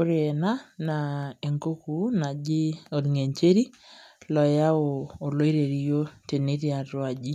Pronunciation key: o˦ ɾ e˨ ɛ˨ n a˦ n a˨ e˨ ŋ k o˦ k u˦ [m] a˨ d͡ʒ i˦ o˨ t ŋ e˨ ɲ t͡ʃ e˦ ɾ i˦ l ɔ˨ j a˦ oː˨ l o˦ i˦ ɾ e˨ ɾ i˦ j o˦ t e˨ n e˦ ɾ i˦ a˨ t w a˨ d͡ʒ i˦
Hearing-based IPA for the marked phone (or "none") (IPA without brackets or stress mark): n